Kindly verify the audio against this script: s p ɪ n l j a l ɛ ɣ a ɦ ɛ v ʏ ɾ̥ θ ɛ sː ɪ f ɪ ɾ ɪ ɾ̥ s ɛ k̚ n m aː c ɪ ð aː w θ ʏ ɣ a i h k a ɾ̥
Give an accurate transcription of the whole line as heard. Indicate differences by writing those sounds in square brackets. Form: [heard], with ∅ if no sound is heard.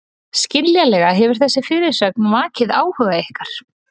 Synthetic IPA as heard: s [c] ɪ n l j a l ɛ ɣ a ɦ ɛ v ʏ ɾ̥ θ ɛ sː ɪ f ɪ ɾ ɪ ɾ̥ s [œ] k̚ n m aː c ɪ ð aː w [h] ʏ ɣ a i h k a ɾ̥